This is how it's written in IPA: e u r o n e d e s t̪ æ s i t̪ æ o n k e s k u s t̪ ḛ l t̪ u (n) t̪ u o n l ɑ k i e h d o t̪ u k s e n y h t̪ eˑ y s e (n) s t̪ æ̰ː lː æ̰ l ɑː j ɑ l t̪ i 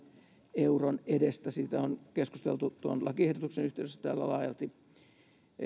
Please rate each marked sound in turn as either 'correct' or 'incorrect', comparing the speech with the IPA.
incorrect: none, incorrect: none

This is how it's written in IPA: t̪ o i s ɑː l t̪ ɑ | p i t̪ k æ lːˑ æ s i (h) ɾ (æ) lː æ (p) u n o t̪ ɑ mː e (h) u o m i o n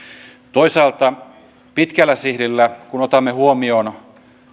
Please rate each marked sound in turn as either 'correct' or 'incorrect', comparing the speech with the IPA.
correct, incorrect: i, incorrect: k, correct

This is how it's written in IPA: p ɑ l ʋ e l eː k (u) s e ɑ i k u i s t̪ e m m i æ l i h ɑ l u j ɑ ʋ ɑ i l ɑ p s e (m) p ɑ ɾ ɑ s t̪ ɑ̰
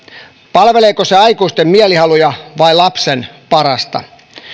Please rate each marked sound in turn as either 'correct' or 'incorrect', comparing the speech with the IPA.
incorrect: o, incorrect: n

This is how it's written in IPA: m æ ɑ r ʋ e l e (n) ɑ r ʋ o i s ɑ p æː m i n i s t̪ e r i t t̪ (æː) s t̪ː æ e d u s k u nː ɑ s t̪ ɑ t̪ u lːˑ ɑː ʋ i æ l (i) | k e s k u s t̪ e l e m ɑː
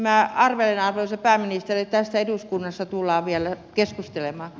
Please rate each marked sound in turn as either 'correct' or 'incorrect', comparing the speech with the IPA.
correct, incorrect: æ, incorrect: æ

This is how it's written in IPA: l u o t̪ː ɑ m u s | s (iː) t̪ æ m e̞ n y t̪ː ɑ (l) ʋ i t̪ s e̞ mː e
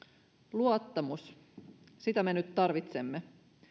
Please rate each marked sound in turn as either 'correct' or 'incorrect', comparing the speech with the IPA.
incorrect: i, incorrect: r

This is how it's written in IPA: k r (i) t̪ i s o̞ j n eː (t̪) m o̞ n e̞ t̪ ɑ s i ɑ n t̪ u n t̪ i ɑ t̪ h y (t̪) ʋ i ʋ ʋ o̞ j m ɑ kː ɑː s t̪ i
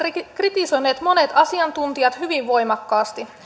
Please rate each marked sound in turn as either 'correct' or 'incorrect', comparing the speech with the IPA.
correct, correct, incorrect: none

